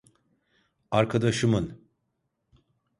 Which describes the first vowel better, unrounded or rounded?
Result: unrounded